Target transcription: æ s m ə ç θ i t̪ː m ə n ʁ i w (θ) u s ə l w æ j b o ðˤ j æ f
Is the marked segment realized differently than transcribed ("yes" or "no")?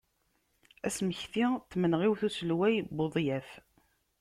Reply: no